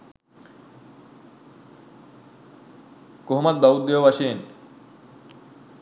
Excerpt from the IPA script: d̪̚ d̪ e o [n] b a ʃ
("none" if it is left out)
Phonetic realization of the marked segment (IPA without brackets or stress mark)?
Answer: none